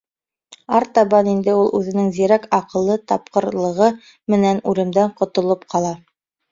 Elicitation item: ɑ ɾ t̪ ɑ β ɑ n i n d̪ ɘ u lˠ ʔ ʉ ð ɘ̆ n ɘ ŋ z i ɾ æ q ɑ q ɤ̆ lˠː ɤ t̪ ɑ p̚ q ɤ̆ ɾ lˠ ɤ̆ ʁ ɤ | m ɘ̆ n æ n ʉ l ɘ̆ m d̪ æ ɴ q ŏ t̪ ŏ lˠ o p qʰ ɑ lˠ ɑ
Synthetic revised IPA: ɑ ɾ t̪ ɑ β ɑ n i n d̪ ɘ u lˠ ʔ ʉ ð ɘ̆ n ɘ ŋ z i ɾ æ k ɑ q ɤ̆ lˠː ɤ t̪ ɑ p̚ q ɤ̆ ɾ lˠ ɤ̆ ʁ ɤ | m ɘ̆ n æ n ʉ l ɘ̆ m d̪ æ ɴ q ŏ t̪ ŏ lˠ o p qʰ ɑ lˠ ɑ